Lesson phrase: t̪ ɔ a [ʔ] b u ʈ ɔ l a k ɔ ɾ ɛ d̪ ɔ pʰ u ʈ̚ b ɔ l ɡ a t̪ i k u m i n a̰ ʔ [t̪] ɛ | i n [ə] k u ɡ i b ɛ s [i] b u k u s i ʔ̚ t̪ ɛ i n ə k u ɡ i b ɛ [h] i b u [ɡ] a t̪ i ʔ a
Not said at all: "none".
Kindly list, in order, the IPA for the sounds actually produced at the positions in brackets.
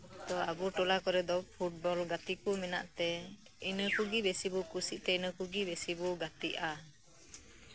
none, t̪, ə, i, s, ɡ

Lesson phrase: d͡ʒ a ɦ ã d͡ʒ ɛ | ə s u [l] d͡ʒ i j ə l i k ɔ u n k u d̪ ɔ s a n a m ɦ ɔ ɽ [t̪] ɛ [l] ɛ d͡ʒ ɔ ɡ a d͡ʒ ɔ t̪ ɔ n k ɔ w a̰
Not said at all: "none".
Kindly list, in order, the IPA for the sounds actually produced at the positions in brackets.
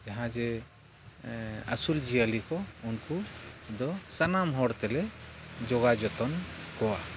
l, t̪, l

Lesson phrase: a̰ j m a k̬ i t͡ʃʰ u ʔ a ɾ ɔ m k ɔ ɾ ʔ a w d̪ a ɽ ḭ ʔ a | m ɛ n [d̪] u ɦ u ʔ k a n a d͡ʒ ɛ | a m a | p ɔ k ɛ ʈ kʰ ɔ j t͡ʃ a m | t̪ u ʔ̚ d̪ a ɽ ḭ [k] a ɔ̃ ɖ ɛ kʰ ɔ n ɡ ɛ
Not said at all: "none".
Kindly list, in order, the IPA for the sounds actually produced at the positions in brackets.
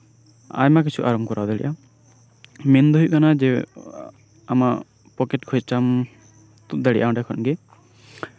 d̪, ʔ

